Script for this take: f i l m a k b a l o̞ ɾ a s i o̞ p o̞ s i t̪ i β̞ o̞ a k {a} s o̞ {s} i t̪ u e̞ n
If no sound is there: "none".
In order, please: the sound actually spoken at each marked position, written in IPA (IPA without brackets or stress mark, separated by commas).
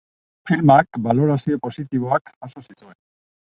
a, s